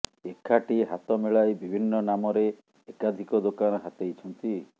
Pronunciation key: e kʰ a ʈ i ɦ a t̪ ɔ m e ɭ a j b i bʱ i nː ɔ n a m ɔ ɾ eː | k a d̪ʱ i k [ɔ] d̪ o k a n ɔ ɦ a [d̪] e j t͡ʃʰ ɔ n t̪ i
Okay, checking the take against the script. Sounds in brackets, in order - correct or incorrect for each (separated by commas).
correct, incorrect